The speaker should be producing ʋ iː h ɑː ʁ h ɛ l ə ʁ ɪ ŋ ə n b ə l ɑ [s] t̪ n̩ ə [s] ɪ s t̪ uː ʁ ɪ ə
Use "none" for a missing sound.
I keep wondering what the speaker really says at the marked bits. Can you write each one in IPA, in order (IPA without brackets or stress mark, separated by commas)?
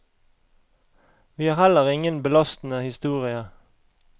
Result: s, h